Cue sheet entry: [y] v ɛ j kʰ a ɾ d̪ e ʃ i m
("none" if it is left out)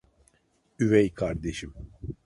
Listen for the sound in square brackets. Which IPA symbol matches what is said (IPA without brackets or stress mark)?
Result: y